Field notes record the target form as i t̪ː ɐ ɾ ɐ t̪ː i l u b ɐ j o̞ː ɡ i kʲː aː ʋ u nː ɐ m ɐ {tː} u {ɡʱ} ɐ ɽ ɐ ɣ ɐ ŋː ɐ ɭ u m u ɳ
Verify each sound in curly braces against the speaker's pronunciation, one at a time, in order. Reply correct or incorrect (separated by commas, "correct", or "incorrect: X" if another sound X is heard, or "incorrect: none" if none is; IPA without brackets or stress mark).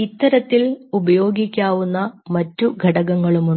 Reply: correct, correct